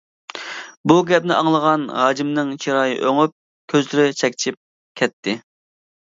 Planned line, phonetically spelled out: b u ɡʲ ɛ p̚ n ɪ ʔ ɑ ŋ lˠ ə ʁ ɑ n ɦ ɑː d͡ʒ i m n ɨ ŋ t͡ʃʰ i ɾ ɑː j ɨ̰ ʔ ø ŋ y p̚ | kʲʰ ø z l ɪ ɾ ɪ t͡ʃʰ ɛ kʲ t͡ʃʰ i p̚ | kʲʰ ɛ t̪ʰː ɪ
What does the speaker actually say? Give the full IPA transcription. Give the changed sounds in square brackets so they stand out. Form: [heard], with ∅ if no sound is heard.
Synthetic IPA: b u ɡʲ ɛ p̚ n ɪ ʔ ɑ ŋ lˠ ə ʁ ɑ n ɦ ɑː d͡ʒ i m n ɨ ŋ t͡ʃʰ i ɾ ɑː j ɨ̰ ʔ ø ŋ y p̚ | kʲʰ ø z l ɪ ɾ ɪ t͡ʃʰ ɛ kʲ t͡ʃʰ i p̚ | kʲʰ ɛ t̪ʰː ɪ